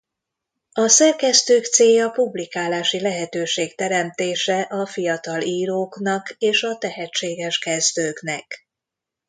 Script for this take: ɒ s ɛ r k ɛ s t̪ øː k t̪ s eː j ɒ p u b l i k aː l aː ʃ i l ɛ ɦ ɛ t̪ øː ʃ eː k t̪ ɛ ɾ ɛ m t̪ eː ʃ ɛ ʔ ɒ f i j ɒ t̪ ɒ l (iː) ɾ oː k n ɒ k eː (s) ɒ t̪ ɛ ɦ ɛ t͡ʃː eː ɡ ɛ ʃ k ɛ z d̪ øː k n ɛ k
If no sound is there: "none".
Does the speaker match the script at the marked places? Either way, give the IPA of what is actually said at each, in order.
iː, ʃ

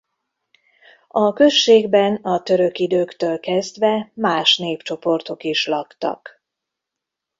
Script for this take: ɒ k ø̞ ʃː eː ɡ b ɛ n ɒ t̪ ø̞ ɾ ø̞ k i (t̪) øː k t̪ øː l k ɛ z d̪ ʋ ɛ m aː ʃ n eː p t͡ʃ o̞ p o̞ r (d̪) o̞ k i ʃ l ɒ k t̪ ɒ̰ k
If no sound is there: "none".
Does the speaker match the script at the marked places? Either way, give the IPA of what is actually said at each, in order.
d̪, t̪

